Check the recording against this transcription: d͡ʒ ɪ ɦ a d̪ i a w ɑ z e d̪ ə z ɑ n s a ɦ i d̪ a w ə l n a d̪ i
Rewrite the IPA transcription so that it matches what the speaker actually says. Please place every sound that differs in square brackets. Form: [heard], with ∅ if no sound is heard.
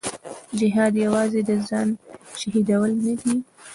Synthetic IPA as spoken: d͡ʒ ɪ ɦ [ɑ] d̪ [j] a w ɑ z e d̪ ə z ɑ n [ʃ] a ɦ i d̪ a w ə l n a d̪ i